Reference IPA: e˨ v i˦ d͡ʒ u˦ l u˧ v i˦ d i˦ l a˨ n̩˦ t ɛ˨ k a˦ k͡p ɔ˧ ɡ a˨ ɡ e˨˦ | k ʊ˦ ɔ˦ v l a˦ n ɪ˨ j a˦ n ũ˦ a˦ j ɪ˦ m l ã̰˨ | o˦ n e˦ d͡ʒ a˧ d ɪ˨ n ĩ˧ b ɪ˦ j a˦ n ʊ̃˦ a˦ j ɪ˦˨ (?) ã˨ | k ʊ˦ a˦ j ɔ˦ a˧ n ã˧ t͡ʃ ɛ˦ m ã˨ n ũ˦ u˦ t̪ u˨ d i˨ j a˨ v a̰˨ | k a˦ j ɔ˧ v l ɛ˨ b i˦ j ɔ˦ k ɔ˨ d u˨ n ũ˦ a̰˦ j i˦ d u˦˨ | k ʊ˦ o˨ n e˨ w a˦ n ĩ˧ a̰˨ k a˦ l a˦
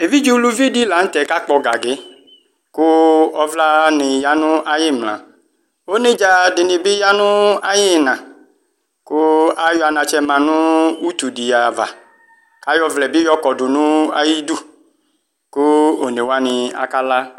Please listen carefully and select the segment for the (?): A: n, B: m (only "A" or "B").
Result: A